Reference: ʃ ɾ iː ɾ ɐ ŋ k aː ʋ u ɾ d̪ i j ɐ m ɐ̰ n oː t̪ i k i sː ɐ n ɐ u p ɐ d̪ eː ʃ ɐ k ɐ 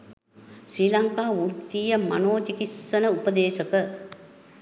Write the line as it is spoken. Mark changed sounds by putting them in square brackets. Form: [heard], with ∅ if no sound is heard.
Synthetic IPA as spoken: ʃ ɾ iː [l] ɐ ŋ k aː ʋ u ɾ [t̪] i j ɐ m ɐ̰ n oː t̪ i k i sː ɐ n ɐ u p ɐ d̪ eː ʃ ɐ k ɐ

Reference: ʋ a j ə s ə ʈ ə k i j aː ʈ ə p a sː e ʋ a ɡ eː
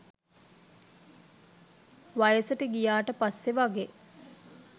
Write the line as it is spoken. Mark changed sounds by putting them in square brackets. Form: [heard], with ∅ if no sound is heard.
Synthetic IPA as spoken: ʋ a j ə s ə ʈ ə [ɡ] i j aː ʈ ə p a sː e ʋ a ɡ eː

